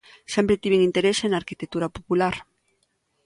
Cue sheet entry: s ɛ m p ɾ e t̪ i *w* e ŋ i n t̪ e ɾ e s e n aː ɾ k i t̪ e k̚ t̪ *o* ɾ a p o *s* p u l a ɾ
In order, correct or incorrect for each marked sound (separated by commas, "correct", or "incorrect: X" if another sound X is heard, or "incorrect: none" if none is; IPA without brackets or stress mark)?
incorrect: β, incorrect: u, incorrect: none